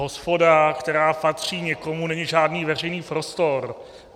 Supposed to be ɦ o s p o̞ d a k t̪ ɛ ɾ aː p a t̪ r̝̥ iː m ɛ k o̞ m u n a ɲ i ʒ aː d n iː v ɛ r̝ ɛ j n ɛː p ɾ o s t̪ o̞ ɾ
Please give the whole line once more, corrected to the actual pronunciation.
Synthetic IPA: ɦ o s p o̞ d a k t̪ ɛ ɾ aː p a t̪ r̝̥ iː ɲ ɛ k o̞ m u n ɛ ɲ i ʒ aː d n iː v ɛ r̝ ɛ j n iː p ɾ o s t̪ o̞ ɾ